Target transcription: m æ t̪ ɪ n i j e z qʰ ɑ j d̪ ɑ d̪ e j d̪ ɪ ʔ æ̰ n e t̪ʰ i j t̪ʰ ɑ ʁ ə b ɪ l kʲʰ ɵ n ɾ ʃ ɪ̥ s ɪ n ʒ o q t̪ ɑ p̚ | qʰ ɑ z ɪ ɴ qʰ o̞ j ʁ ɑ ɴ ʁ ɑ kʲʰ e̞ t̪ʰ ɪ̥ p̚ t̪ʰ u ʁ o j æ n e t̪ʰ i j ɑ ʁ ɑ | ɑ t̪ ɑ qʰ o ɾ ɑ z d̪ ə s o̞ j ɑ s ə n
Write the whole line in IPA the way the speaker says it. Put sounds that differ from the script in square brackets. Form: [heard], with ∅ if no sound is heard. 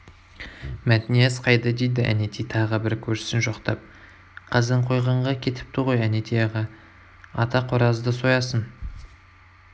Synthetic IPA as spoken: m æ t̪ ɪ n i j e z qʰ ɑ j d̪ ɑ d̪ e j d̪ ɪ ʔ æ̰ n e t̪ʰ i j t̪ʰ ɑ ʁ ə b ɪ [ɾ] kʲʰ ɵ [∅] ɾ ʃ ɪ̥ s ɪ n ʒ o q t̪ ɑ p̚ | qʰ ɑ z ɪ ɴ qʰ o̞ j ʁ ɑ ɴ ʁ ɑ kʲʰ e̞ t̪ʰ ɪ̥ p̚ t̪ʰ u ʁ o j æ n e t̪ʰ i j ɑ ʁ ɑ | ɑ t̪ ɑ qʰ o ɾ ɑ z d̪ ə s o̞ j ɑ s ə n